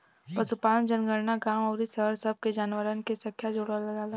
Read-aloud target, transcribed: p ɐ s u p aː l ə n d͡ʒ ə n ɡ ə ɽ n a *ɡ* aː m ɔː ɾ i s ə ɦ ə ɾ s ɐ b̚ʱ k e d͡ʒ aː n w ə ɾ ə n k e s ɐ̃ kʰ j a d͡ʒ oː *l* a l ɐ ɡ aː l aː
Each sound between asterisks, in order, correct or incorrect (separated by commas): correct, incorrect